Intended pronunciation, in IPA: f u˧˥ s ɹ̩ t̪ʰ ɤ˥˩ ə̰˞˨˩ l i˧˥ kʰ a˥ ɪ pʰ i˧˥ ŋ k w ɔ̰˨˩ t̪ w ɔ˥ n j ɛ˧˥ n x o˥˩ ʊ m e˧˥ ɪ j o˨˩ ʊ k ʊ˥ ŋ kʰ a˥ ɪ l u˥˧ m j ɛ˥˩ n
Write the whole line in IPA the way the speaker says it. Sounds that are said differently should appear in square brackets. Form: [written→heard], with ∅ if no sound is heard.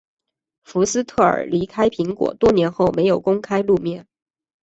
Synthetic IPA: f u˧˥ s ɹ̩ t̪ʰ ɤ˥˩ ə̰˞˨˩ l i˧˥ kʰ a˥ ɪ pʰ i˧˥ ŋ k w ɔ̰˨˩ t̪ w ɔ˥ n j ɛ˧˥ n x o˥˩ ʊ m e˧˥ ɪ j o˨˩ ʊ k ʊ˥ ŋ kʰ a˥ ɪ l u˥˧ m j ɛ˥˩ n